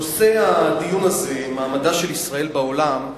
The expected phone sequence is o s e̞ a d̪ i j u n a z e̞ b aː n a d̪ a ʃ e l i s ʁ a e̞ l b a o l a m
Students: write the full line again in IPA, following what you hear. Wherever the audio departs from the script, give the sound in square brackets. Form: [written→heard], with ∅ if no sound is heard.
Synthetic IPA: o s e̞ a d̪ i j u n a z e̞ [b→m] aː [n→m] a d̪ a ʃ e l i s ʁ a e̞ l b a o l a m